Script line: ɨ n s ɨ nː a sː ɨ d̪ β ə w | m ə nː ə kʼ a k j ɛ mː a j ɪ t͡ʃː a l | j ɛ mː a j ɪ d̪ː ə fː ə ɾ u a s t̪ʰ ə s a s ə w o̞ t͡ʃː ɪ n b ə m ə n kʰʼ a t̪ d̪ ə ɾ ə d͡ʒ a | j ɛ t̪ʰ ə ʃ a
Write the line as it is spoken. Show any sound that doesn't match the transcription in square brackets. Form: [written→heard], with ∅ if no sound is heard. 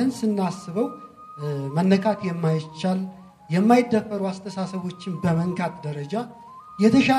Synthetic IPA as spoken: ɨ n s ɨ nː a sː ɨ [d̪→∅] β ə w | m ə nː ə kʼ a k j ɛ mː a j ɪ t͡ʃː a l | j ɛ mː a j ɪ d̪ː ə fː ə ɾ u a s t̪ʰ ə s a s ə [w→β] o̞ t͡ʃː ɪ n b ə m ə [n→ŋ] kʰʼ a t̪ d̪ ə ɾ ə d͡ʒ a | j ɛ t̪ʰ ə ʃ a